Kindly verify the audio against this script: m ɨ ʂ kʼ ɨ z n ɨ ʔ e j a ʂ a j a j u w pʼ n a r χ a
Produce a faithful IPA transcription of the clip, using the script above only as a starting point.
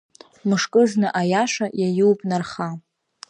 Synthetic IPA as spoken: m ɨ ʂ kʼ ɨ z n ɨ ʔ a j a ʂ a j a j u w pʼ n a r χ a